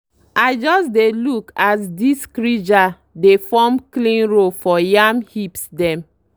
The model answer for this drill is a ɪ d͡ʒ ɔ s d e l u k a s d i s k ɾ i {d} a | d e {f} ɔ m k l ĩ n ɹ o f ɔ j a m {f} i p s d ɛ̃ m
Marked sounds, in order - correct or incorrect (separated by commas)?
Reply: incorrect, correct, incorrect